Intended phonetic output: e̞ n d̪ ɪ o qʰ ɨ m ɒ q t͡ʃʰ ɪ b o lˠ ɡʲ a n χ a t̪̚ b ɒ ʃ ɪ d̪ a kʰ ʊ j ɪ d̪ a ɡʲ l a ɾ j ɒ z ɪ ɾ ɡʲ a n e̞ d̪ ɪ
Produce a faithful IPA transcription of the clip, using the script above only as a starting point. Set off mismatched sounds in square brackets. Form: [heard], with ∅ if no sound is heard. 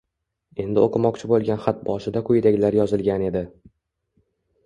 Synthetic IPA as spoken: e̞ n d̪ ɪ o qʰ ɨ m ɒ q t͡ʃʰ ɪ b o lˠ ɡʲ a n χ a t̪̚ b ɒ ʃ ɪ d̪ a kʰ ʊ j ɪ d̪ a ɡʲ l a ɾ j ɒ z ɪ [l] ɡʲ a n e̞ d̪ ɪ